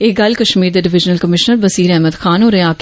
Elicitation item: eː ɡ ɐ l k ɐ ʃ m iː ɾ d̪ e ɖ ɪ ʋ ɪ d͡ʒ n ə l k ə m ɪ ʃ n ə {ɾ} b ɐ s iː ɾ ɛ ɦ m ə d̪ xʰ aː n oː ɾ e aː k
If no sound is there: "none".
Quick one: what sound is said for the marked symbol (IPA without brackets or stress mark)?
ɾ